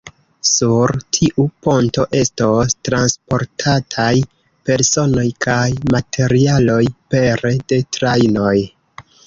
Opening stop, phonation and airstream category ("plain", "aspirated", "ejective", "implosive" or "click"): aspirated